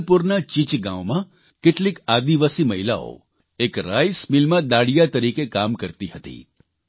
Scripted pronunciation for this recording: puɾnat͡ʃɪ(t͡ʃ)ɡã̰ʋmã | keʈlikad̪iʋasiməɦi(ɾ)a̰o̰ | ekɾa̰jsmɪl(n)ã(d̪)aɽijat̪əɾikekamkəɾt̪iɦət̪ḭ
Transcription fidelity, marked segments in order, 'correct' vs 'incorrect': correct, incorrect, incorrect, correct

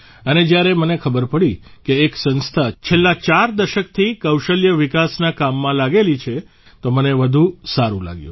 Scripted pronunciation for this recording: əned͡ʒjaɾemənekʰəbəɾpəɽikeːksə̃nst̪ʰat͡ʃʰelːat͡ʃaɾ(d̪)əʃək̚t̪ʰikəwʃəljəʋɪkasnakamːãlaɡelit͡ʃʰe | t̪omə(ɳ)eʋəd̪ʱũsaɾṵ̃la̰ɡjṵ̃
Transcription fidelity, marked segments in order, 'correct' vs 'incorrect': correct, incorrect

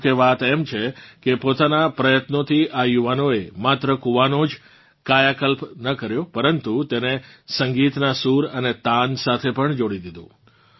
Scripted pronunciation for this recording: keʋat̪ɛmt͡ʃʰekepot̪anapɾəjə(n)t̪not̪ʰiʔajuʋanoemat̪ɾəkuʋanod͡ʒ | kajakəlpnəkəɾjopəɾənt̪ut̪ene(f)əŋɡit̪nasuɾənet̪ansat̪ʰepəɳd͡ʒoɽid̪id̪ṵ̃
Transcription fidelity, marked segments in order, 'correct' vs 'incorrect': incorrect, incorrect

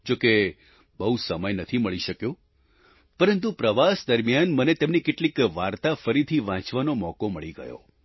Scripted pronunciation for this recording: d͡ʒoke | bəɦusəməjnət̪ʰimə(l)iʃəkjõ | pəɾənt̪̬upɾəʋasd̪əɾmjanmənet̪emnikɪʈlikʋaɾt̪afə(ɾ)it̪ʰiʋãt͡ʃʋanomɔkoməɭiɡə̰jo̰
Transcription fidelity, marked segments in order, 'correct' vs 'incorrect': incorrect, correct

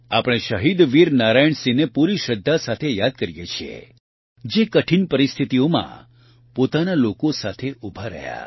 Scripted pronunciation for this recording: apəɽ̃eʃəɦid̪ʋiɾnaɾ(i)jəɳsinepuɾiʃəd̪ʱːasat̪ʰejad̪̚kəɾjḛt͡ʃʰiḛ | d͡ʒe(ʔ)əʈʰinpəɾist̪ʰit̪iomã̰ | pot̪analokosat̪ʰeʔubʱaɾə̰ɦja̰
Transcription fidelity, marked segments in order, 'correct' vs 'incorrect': incorrect, incorrect

